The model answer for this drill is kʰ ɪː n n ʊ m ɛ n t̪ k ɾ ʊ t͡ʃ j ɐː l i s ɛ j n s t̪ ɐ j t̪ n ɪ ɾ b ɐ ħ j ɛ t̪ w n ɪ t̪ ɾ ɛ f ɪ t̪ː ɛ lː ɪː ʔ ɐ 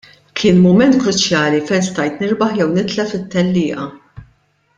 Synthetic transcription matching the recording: kʰ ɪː n m ʊ m ɛ n t̪ k ɾ ʊ t͡ʃ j ɐː l i f ɛ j n s t̪ ɐ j t̪ n ɪ ɾ b ɐ ħ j ɛ w n ɪ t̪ l ɛ f ɪ t̪ː ɛ lː ɪː ʔ ɐ